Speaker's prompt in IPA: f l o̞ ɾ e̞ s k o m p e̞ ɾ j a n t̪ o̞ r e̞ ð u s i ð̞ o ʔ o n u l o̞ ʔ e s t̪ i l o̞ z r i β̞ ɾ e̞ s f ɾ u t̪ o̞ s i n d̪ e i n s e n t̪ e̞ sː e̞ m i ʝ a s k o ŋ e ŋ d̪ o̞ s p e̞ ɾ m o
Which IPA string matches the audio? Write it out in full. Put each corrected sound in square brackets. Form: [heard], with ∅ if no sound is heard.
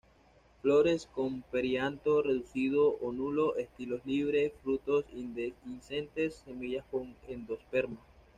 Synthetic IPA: f l o̞ ɾ e̞ s k o m p e̞ ɾ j a n t̪ o̞ r e̞ ð u s i ð̞ o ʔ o n u l o̞ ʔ e s t̪ i l o̞ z [l] i β̞ ɾ e̞ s f ɾ u t̪ o̞ s i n d̪ e i n s e n t̪ e̞ sː e̞ m i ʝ a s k o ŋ e [n] d̪ o̞ s p e̞ ɾ m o